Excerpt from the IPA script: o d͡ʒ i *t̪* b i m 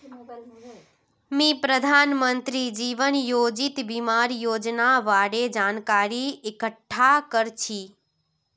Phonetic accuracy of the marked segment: correct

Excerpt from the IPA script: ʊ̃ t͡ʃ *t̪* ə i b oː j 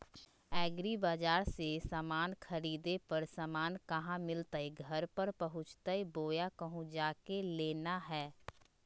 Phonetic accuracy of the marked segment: correct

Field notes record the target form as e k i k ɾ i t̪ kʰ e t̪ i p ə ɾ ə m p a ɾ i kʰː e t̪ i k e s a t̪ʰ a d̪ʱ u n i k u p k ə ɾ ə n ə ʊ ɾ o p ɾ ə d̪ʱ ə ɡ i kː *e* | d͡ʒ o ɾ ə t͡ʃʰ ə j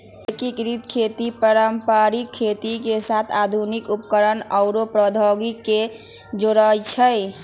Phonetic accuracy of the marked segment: correct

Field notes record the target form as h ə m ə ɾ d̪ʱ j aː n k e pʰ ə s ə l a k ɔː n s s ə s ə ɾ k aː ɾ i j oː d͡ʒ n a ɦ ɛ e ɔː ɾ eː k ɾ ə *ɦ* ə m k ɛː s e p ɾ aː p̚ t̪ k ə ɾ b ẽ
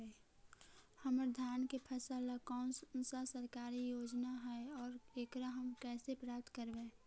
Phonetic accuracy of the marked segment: correct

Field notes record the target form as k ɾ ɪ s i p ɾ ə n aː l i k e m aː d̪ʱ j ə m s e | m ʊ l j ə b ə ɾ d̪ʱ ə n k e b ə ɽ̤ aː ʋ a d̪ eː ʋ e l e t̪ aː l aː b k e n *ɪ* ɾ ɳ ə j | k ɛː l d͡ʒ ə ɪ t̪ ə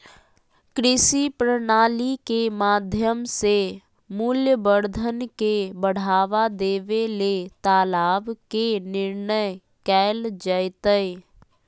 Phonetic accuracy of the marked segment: correct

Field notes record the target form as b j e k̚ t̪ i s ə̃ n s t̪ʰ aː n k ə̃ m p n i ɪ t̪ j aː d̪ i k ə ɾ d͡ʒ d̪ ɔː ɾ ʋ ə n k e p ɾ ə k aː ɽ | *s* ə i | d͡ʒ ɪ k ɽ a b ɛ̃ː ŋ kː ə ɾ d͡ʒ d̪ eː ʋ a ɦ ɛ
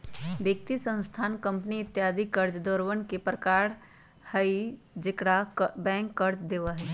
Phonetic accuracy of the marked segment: incorrect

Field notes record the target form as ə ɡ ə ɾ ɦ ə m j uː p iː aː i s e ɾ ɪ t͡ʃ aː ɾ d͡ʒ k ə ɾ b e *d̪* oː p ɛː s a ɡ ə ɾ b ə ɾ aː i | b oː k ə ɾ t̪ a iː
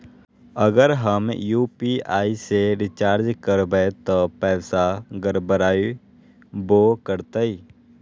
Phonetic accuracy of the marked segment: incorrect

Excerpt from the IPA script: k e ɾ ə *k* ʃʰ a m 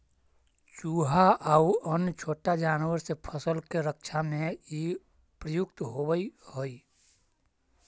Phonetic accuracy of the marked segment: correct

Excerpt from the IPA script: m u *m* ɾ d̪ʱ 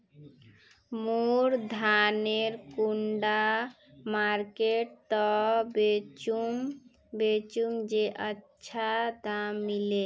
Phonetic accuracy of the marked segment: incorrect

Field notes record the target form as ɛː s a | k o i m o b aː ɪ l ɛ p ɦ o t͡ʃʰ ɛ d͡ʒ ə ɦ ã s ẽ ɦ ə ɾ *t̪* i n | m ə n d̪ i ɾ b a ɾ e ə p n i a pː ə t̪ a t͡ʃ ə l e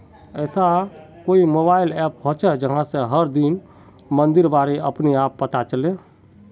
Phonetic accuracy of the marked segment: incorrect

